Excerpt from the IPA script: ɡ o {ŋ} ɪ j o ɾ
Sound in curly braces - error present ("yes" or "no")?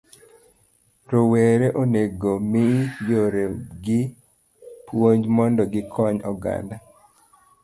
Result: yes